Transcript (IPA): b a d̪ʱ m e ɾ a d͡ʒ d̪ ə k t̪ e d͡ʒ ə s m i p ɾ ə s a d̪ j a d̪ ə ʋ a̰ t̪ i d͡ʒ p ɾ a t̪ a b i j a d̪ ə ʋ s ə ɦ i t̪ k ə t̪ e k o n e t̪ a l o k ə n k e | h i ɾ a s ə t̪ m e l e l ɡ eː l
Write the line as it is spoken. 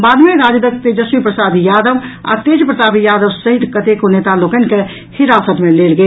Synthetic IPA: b a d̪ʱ m e ɾ a d͡ʒ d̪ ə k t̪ e d͡ʒ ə s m i p ɾ ə s a d̪ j a d̪ ə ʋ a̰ t̪ e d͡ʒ p ɾ ə t̪ a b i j a d̪ ə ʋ s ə ɦ i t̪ k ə t̪ e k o n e t̪ a l o k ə n k e | h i ɾ a s ə t̪ m e l e l ɡ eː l

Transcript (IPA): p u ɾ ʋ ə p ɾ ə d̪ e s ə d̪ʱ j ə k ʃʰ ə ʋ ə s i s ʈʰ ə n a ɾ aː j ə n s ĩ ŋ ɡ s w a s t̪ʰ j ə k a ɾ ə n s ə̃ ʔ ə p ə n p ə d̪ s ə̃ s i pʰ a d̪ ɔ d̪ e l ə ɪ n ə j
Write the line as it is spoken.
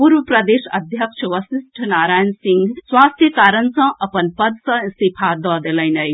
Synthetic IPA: p u ɾ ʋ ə p ɾ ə d̪ e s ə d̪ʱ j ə k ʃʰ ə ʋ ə s i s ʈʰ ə n a ɾ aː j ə n s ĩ ŋ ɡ s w a s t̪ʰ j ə k a ɾ ə n s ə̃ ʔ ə p ə n p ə d̪ s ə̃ s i pʰ a d̪ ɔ d̪ e l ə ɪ n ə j

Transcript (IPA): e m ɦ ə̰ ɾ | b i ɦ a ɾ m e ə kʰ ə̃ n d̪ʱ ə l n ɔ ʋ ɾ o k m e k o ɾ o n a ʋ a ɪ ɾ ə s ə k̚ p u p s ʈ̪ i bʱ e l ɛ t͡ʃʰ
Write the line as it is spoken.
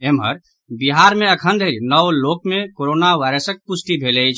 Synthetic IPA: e m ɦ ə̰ ɾ | b i ɦ a ɾ m e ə kʰ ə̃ n d̪ʱ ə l n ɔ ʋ l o k m e k o ɾ o n a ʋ a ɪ ɾ ə s ə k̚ p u s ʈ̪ i bʱ e l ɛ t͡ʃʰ

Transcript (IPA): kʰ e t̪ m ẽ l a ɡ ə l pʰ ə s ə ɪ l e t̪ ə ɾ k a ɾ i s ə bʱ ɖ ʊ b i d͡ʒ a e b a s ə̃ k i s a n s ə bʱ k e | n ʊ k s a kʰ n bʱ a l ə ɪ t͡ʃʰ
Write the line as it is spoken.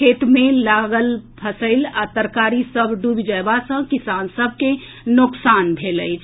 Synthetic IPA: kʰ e t̪ m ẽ l a ɡ ə l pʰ ə s ə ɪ l a t̪ ə ɾ k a ɾ i s ə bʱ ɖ u b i d͡ʒ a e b a s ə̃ k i s a n s ə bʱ k e | n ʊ k s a n bʱ e l ə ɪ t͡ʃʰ

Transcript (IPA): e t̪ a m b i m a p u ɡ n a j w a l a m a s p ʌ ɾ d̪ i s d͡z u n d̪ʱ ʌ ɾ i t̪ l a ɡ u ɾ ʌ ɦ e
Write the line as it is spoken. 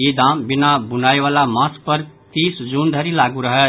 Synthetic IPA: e d̪ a m b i n a b u n a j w a l a m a s p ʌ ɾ t̪ i s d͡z u n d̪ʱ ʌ ɾ i l a ɡ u ɾ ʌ ɦ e

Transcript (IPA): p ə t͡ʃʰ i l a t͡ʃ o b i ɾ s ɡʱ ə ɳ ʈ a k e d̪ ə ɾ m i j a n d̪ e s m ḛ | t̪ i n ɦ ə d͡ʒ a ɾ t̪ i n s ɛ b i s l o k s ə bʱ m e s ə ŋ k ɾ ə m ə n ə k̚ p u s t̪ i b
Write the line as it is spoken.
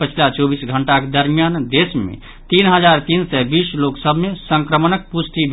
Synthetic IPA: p ə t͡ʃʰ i l a t͡ʃ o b i s ɡʱ ə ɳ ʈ a k e d̪ ə ɾ m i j a n d̪ e s m ḛ | t̪ i n ɦ ə d͡ʒ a ɾ t̪ i n s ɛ b i s l o k s ə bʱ m e s ə ŋ k ɾ ə m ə n ə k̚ p u s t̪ i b

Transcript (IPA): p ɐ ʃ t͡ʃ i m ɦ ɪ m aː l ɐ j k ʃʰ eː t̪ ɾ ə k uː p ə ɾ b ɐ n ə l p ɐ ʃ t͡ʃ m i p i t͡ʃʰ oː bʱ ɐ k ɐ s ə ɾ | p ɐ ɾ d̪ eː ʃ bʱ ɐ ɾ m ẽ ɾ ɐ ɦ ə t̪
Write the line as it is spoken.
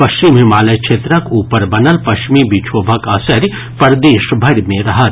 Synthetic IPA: p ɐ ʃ t͡ʃ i m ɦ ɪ m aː l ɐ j k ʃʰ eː t̪ ɾ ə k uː p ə ɾ b ɐ n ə l p ɐ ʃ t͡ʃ m i b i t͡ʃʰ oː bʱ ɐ k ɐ s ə ɾ | p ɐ ɾ d̪ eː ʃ bʱ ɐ ɾ m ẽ ɾ ɐ ɦ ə t̪

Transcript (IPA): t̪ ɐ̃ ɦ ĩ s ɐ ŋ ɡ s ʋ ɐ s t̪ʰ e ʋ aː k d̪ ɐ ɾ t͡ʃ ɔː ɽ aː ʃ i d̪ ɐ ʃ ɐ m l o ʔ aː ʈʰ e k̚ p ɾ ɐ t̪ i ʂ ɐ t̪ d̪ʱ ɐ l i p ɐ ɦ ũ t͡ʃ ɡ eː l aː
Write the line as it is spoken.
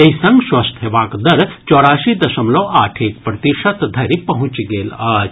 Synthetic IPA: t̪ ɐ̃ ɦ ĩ s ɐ ŋ ɡ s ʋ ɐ s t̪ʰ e ʋ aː k d̪ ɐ ɾ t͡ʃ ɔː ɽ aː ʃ i d̪ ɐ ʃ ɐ m l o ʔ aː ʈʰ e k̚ p ɾ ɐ t̪ i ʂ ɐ t̪ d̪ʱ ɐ ɾ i p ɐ ɦ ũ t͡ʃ ɡ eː l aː

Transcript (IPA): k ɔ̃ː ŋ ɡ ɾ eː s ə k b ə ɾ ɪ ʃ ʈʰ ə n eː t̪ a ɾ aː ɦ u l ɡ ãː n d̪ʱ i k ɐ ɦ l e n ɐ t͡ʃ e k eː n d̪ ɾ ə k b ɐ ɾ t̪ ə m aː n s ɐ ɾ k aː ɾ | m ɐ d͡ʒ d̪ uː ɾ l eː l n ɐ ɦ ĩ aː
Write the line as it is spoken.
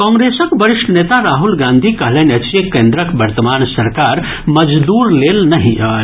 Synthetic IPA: k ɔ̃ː ŋ ɡ ɾ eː s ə k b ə ɾ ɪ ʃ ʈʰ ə n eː t̪ a ɾ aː ɦ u l ɡ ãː n d̪ʱ i k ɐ ɦ l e n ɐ t͡ʃ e k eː n d̪ ɾ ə k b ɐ ɾ t̪ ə m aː n s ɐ ɾ k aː ɾ | m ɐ d͡ʒ d̪ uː ɾ l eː l n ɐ ɦ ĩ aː

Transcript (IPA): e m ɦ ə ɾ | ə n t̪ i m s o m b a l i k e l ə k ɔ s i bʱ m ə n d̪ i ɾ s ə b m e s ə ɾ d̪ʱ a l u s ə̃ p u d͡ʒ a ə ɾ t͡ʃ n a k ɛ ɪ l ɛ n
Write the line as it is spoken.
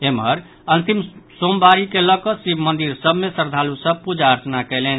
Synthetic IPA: e m ɦ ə ɾ | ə n t̪ i m s o m b a ɾ i k e l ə k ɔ s i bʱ m ə n d̪ i ɾ s ə b m e s ə ɾ d̪ʱ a l u s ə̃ p u d͡ʒ a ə ɾ t͡ʃ n a k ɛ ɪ l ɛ n

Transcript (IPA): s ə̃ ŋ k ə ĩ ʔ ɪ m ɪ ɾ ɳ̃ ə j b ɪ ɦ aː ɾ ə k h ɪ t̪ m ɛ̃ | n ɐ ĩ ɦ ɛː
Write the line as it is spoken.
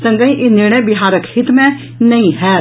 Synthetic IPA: s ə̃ ŋ ɡ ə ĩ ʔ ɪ n ɪ ɾ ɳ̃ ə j b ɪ ɦ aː ɾ ə k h ɪ t̪ m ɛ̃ | n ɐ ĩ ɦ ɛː

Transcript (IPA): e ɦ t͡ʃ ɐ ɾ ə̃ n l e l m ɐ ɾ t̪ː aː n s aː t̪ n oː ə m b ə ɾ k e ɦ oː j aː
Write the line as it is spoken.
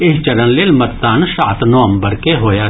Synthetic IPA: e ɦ t͡ʃ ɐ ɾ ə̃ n l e l m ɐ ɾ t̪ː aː n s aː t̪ n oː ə m b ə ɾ k e ɦ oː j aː

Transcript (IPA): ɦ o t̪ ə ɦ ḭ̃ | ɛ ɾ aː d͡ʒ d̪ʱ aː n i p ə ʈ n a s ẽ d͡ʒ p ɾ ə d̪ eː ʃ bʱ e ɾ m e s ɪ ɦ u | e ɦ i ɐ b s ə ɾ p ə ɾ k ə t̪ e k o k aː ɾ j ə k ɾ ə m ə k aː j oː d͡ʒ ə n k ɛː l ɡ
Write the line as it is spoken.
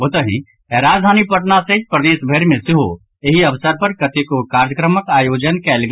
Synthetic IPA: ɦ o t̪ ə ɦ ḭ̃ | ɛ ɾ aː d͡ʒ d̪ʱ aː n i p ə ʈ n a s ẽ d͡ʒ p ɾ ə d̪ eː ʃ bʱ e ɾ m e s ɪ ɦ o | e ɦ i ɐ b s ə ɾ p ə ɾ k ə t̪ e k o k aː ɾ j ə k ɾ ə m ə k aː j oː d͡ʒ ə n k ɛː l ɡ

